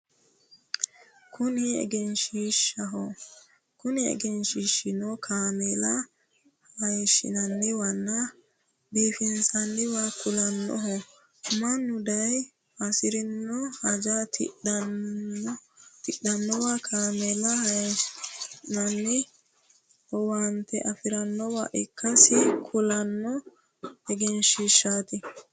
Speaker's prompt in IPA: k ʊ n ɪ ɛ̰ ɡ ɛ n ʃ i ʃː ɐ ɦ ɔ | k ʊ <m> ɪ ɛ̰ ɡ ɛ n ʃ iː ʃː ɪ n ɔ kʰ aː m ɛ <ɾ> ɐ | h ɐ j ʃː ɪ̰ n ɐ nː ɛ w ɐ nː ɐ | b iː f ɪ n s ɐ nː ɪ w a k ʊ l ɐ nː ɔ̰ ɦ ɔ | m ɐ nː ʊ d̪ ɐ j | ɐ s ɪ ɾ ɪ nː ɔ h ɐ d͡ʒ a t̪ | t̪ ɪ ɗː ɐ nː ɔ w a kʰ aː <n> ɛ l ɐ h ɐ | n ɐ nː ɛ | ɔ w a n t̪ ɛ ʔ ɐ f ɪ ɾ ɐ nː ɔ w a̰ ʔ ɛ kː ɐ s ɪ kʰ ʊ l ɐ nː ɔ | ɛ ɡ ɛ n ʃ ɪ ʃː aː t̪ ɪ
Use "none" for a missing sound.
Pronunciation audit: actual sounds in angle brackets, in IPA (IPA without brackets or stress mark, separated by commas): n, l, m